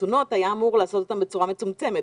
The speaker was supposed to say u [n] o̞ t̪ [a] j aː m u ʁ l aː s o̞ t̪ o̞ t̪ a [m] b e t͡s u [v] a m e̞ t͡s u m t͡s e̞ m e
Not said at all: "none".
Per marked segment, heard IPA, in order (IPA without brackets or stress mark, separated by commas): n, a, m, ʁ